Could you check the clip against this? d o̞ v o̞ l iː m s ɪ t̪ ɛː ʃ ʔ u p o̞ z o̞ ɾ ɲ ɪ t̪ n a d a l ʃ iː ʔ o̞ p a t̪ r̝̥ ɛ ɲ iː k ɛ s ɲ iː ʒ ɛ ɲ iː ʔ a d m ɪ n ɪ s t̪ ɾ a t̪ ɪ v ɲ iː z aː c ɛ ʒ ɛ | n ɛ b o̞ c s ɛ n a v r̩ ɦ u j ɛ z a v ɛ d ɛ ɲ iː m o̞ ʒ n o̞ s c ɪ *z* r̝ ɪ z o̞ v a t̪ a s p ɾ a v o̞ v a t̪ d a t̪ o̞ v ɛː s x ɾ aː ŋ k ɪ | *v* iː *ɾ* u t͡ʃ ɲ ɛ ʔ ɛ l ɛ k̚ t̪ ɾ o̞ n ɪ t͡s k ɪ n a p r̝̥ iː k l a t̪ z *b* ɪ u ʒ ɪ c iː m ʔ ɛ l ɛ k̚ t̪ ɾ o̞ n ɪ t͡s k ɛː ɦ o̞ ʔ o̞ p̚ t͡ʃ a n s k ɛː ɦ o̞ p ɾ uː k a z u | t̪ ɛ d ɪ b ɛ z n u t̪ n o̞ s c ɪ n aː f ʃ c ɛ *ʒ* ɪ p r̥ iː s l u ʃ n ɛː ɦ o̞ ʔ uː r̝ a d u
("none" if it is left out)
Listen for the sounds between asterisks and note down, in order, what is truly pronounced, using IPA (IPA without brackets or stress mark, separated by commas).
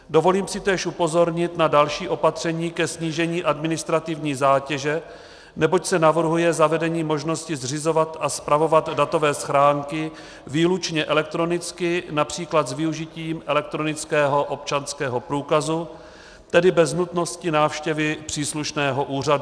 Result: z, v, l, v, v